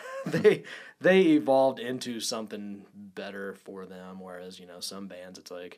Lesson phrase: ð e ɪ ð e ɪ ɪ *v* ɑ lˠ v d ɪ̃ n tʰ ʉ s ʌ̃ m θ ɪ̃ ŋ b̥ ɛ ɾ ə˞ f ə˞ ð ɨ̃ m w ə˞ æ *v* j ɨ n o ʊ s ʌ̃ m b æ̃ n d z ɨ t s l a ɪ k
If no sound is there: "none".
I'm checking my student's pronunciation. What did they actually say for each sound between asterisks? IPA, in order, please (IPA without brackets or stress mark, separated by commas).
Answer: v, z